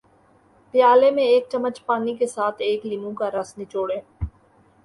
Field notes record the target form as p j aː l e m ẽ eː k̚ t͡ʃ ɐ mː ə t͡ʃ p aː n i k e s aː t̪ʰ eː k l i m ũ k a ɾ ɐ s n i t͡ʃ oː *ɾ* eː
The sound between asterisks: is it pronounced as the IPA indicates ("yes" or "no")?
no